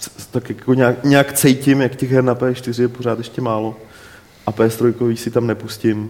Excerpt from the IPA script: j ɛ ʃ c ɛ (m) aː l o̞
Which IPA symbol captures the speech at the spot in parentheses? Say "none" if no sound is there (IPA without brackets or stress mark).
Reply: m